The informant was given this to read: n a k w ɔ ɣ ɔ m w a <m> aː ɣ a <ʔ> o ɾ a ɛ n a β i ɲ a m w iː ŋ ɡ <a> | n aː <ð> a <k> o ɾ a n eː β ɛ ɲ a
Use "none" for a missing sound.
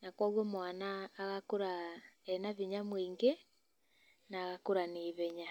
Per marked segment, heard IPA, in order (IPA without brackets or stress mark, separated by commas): n, k, e, ɣ, k